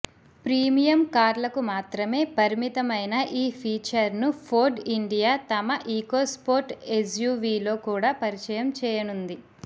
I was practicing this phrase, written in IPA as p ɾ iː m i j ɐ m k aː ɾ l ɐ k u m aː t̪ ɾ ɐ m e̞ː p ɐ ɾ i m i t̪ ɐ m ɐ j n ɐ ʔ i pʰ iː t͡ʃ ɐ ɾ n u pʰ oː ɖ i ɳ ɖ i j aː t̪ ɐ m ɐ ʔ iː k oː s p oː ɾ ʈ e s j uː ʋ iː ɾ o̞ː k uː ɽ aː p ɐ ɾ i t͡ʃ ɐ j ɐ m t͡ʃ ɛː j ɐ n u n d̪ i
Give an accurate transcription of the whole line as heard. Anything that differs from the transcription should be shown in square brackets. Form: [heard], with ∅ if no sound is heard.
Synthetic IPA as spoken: p ɾ iː m i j ɐ m k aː ɾ l ɐ k u m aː t̪ ɾ ɐ m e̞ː p ɐ ɾ i m i t̪ ɐ m ɐ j n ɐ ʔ [iː] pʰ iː t͡ʃ ɐ ɾ n u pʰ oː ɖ i ɳ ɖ i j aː t̪ ɐ m ɐ ʔ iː k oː s p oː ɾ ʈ e s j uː ʋ iː [l] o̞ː k uː ɽ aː p ɐ ɾ i t͡ʃ ɐ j ɐ m t͡ʃ ɛː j ɐ n u n d̪ i